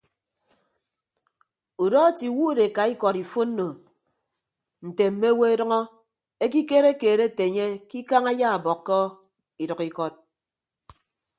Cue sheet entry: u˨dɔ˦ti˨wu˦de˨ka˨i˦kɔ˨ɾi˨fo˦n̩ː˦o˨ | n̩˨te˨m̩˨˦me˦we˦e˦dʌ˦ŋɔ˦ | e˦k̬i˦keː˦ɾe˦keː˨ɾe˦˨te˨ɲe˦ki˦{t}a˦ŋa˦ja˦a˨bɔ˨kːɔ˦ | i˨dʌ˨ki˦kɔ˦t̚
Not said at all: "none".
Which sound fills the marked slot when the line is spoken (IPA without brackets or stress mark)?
k